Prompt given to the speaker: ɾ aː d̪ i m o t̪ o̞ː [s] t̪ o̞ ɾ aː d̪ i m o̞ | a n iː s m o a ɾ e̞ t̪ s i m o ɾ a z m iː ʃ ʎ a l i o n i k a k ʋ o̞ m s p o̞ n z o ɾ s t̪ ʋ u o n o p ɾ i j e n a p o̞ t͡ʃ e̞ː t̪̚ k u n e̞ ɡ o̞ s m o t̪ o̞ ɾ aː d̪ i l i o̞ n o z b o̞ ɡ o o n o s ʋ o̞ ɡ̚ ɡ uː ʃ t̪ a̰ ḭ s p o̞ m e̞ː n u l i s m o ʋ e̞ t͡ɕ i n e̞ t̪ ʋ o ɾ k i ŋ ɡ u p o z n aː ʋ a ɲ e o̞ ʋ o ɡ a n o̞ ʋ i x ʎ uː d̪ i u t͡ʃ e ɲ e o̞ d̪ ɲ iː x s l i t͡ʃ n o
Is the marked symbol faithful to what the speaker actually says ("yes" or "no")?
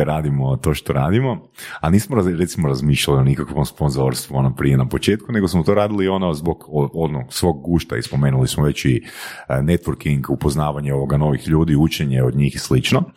no